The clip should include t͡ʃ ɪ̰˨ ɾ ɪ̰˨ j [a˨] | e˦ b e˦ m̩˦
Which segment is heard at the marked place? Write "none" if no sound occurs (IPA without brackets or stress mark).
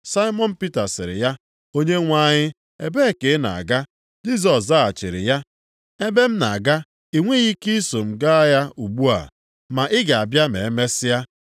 a˦